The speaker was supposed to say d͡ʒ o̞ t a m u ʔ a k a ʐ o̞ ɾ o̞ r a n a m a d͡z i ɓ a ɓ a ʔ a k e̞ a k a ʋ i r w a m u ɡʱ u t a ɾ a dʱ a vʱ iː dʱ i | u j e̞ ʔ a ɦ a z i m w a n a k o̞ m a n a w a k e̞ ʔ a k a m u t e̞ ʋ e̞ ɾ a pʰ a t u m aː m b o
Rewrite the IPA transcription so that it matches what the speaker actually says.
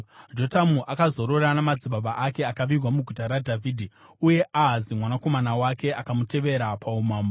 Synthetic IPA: d͡ʒ o̞ t a m u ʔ a k a z o̞ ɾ o̞ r a n a m a d͡z i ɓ a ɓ a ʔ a k e̞ a k a ʋ i r w a m u ɡʱ u t a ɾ a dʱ a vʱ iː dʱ i | u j e̞ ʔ a ɦ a z i m w a n a k o̞ m a n a w a k e̞ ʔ a k a m u t e̞ ʋ e̞ ɾ a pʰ a u m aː m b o